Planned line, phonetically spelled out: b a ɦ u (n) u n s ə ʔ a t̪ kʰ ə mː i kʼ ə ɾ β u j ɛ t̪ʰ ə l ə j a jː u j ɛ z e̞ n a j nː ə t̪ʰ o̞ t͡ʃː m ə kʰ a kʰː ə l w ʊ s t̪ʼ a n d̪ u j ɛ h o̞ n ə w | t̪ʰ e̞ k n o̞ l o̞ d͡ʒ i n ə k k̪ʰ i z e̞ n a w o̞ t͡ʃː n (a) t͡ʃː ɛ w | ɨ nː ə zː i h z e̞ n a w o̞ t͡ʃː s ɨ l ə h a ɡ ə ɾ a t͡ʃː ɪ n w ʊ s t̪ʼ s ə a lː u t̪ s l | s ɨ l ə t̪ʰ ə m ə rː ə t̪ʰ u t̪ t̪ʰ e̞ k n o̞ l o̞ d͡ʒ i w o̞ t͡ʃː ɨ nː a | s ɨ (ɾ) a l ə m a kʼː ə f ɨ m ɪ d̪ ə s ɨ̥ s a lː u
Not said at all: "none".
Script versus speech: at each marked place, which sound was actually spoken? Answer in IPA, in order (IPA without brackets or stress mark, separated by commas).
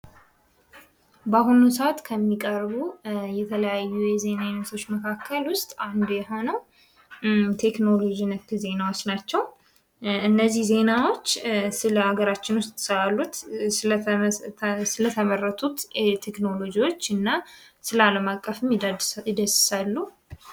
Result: n, a, l